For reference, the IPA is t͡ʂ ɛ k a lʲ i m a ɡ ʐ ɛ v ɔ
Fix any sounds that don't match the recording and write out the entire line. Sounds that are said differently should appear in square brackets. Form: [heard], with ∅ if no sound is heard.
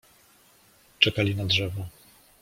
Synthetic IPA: t͡ʂ ɛ k a lʲ i [n] a [d] ʐ ɛ v ɔ